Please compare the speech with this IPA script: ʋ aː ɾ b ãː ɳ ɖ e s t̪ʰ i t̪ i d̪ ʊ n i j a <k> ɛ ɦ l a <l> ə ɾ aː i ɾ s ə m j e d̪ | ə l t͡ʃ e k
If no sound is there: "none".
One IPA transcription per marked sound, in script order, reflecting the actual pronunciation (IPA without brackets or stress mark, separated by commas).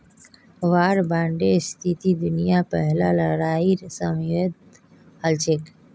p, l